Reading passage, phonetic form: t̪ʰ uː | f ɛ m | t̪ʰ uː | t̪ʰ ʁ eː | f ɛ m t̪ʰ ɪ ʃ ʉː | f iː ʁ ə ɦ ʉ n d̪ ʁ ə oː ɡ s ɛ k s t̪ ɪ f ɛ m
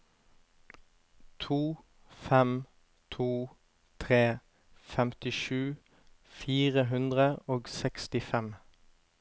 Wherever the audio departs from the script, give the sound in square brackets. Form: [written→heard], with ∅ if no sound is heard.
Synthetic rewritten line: t̪ʰ uː | f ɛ m | t̪ʰ uː | t̪ʰ ʁ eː | f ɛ m [t̪ʰ→t̪] ɪ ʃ ʉː | f iː ʁ ə ɦ ʉ n d̪ ʁ ə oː ɡ s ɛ k s t̪ ɪ f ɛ m